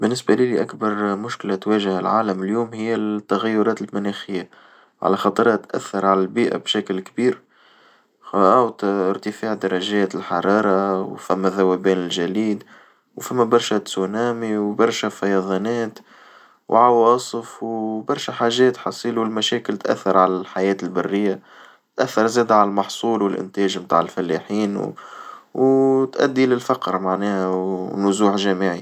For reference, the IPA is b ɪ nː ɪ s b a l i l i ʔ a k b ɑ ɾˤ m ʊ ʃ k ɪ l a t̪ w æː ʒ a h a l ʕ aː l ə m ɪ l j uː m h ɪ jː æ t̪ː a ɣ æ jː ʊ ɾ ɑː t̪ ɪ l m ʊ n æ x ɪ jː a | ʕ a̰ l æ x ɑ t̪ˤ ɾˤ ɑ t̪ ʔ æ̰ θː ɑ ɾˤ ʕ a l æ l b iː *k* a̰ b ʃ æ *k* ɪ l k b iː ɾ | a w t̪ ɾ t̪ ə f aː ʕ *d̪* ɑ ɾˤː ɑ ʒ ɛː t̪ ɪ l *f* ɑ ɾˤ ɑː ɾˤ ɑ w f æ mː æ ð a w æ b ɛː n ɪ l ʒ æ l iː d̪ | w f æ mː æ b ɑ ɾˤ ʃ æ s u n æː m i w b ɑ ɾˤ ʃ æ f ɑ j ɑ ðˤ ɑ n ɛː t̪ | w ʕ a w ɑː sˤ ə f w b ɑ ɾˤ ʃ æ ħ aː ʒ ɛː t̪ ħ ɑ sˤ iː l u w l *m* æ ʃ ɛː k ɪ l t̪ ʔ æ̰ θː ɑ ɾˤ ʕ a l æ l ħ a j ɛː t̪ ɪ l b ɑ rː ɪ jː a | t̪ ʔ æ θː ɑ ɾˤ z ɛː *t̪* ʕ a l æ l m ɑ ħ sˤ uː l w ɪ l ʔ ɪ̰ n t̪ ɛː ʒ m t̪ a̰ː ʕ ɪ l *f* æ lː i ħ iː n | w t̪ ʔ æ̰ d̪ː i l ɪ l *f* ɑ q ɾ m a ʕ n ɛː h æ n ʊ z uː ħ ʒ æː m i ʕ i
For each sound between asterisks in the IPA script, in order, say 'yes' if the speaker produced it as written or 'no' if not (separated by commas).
no, yes, yes, no, yes, no, yes, yes